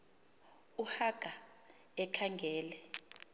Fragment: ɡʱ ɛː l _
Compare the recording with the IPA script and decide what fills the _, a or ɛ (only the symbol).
ɛ